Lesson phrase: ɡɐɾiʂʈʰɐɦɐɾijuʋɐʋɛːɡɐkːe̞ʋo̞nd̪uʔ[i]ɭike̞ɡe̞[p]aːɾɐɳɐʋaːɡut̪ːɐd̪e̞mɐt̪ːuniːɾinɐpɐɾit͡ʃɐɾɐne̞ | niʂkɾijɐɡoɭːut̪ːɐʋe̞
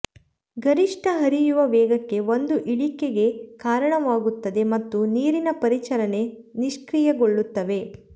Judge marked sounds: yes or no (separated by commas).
yes, no